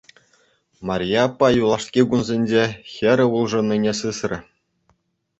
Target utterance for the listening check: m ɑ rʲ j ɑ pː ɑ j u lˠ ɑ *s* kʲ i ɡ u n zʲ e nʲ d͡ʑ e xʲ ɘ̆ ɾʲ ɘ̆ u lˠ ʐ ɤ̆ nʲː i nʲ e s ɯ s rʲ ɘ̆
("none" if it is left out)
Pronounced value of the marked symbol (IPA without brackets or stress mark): ʂ